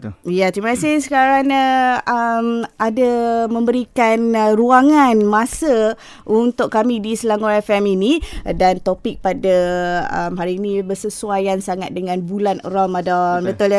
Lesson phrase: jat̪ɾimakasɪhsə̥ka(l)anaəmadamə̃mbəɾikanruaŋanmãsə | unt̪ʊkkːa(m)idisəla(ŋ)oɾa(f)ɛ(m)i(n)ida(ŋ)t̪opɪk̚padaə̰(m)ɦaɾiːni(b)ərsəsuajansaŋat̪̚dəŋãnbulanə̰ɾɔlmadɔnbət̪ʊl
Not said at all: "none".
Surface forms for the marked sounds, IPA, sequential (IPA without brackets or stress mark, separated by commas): ɾ, m, ŋ, f, m, n, n, m, b